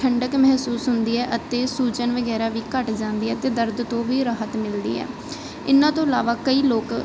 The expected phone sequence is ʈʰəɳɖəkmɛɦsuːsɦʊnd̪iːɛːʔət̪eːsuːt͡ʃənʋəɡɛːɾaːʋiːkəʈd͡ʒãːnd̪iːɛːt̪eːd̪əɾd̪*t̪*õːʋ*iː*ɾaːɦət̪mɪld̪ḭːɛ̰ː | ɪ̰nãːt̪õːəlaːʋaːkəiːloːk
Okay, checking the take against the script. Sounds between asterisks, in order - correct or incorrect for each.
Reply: correct, correct

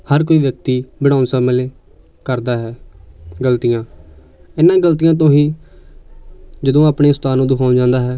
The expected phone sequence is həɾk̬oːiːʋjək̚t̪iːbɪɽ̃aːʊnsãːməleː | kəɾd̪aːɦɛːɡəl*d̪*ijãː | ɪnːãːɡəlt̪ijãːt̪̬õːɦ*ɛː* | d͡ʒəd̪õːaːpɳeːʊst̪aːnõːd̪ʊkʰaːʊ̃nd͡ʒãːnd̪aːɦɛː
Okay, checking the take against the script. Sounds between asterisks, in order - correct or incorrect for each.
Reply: incorrect: t̪, incorrect: iː

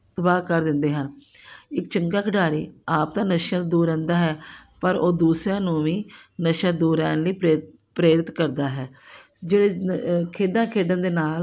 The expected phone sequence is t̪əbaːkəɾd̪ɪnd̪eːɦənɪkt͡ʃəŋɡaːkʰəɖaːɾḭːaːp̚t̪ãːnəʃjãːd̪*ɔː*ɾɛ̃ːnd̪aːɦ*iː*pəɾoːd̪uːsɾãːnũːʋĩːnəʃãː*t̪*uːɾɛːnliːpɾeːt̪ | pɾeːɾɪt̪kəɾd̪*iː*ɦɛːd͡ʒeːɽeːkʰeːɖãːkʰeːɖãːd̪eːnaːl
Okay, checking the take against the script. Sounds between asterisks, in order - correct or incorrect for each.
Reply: incorrect: uː, incorrect: ɛː, incorrect: d̪, incorrect: aː

